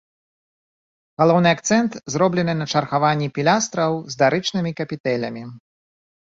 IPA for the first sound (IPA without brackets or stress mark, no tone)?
ɣ